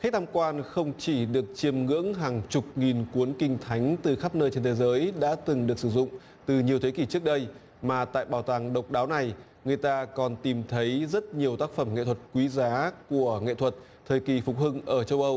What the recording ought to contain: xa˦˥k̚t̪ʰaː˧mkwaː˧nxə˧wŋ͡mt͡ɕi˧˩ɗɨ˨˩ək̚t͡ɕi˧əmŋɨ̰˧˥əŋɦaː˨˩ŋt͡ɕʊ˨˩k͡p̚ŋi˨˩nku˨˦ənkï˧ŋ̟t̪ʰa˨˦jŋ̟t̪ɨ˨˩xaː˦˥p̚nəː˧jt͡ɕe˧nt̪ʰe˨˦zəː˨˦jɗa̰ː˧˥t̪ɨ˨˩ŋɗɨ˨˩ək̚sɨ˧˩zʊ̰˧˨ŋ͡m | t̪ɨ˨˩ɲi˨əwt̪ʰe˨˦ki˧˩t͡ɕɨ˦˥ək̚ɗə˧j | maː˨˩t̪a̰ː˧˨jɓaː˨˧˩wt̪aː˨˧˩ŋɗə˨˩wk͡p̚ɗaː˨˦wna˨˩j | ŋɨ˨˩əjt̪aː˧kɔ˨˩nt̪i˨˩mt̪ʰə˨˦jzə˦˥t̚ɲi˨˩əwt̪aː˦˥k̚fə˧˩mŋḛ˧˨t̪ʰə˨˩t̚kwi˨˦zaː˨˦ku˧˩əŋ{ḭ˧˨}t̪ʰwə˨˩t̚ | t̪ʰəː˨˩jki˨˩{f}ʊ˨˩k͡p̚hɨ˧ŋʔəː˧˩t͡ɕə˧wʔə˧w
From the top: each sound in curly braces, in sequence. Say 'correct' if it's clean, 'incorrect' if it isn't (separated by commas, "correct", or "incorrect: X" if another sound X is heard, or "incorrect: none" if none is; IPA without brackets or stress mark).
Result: incorrect: ḛ˧˨, correct